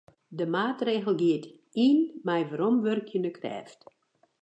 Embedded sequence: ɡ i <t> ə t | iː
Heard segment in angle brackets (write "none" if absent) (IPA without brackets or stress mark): none